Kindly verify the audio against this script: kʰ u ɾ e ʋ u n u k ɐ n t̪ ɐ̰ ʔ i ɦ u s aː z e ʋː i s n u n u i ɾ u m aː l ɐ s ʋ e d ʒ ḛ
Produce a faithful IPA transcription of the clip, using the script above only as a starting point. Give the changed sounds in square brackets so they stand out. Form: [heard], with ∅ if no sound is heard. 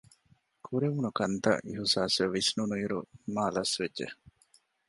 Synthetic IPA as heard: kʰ u ɾ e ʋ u n u k ɐ n t̪ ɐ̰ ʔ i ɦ u s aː [s] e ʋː i s n u n u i ɾ u m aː l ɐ s ʋ e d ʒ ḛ